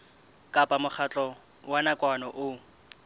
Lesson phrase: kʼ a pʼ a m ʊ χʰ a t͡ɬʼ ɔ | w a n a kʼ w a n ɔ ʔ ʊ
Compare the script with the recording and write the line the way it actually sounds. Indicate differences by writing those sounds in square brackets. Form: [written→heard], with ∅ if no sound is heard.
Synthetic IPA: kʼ a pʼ a m ʊ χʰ a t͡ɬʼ ɔ | w a n a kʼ w a n ɔ ʔ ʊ